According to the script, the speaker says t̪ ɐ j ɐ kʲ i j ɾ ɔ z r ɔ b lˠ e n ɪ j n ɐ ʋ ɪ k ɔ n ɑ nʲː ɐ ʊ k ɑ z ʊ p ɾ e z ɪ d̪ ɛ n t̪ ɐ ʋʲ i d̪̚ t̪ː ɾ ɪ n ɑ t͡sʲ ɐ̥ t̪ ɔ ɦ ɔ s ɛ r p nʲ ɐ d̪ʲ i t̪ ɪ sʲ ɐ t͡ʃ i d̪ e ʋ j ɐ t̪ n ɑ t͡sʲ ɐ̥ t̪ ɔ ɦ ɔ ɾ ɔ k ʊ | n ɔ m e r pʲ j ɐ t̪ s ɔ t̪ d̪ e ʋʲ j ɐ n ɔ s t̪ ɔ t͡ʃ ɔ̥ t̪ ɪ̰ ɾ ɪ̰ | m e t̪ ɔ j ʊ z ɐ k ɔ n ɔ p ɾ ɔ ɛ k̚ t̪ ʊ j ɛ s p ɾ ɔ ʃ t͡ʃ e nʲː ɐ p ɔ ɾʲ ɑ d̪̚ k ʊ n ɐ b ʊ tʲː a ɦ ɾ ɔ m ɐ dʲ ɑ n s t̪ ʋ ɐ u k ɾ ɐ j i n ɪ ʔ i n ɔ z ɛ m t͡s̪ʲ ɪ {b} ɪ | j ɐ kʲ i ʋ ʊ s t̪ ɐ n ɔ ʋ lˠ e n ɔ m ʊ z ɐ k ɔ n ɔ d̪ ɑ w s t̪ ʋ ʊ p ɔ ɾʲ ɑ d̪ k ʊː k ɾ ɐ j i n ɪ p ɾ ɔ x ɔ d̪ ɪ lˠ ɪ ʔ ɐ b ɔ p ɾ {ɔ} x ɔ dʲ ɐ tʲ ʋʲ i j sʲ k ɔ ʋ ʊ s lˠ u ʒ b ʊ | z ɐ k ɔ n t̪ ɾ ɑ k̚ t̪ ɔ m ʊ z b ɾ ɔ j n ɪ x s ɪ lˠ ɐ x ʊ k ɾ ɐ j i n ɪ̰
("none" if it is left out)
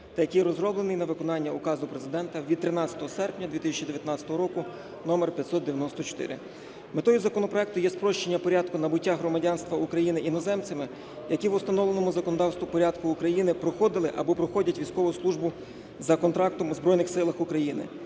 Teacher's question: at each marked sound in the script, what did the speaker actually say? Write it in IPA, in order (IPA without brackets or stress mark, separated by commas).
m, ɔ